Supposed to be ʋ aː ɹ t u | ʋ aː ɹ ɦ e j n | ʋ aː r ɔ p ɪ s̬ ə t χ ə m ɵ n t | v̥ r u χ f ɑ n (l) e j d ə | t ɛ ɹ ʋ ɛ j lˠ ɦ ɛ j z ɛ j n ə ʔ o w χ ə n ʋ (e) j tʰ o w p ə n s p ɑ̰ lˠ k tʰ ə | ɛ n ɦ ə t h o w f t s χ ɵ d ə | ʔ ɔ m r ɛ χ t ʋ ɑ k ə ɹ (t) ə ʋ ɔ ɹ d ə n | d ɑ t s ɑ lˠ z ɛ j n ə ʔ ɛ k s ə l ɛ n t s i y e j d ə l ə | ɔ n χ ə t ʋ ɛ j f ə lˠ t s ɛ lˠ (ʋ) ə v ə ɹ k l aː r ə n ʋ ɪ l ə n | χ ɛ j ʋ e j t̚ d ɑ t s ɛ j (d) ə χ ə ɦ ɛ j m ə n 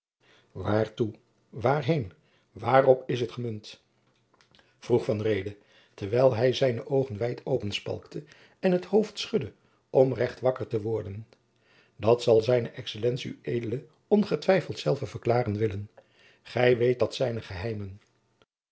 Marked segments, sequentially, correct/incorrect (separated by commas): incorrect, incorrect, correct, incorrect, incorrect